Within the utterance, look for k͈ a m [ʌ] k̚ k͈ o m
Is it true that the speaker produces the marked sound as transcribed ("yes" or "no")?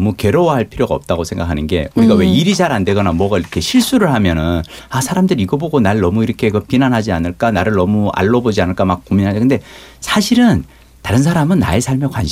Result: no